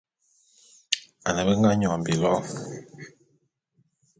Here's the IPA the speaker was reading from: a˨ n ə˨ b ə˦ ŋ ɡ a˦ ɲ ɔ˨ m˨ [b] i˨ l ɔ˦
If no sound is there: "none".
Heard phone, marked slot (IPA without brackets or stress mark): b